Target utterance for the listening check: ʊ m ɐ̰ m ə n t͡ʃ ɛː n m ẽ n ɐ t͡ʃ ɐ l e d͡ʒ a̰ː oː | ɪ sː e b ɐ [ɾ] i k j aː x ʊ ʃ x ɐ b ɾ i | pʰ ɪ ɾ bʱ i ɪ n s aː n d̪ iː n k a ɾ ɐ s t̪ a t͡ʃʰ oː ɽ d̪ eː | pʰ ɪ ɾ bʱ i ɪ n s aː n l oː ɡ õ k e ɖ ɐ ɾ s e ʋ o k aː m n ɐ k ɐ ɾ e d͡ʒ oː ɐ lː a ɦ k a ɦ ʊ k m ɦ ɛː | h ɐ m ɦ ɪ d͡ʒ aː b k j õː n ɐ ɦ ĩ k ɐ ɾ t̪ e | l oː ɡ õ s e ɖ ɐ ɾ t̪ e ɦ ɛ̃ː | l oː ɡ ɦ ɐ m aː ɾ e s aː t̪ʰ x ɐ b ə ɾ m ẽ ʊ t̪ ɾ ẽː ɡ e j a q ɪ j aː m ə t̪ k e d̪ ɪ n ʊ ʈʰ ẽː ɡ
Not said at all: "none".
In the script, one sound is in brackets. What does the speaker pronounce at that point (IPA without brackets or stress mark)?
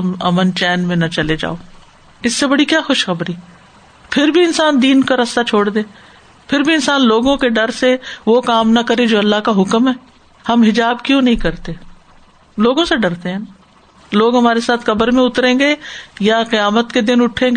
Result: ɽ